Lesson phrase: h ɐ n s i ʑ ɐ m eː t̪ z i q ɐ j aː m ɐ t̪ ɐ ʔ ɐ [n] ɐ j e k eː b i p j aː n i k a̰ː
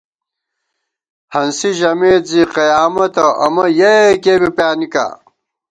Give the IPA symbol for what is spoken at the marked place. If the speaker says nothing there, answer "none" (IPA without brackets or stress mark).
m